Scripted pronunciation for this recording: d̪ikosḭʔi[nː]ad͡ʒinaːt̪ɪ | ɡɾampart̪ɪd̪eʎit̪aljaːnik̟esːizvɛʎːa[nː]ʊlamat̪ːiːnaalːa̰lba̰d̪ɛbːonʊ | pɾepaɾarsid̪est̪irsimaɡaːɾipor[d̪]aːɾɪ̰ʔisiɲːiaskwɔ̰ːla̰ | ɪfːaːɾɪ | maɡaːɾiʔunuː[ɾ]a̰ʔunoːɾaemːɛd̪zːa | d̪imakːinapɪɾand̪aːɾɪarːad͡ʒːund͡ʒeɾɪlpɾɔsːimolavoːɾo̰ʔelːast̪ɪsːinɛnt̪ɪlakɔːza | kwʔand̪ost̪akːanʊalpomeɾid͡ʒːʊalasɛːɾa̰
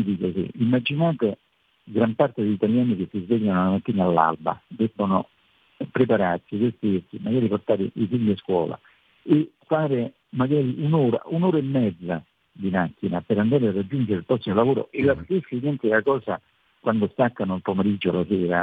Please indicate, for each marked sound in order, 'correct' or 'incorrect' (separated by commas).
incorrect, incorrect, incorrect, correct